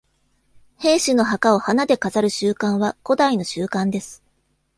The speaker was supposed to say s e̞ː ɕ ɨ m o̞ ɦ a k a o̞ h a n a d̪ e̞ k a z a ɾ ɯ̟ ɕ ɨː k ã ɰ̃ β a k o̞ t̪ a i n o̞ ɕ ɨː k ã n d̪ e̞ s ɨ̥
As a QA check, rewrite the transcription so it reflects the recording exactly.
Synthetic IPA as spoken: h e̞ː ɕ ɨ n o̞ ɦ a k a o̞ h a n a d̪ e̞ k a z a ɾ ɯ̟ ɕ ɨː k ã ɰ̃ β a k o̞ d̪ a i n o̞ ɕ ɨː k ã n d̪ e̞ s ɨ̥